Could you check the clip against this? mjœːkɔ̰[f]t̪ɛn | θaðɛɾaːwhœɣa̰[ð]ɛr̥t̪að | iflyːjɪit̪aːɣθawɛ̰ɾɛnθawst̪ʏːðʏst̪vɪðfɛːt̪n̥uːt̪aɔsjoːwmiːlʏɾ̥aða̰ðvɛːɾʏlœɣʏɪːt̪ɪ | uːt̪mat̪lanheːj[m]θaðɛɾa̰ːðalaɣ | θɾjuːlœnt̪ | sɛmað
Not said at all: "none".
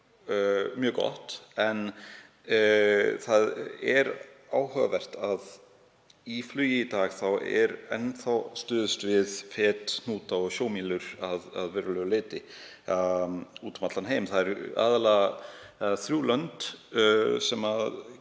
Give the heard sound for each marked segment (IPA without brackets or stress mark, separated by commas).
h, v, m